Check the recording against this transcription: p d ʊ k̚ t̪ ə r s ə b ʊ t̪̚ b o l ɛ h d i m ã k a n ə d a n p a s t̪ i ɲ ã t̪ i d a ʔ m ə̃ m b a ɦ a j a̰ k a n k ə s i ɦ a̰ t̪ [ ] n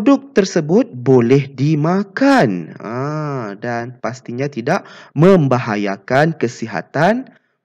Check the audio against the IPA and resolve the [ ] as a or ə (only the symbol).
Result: a